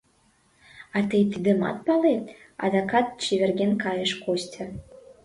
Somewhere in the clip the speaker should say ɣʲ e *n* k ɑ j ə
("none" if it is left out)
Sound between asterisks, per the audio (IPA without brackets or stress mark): n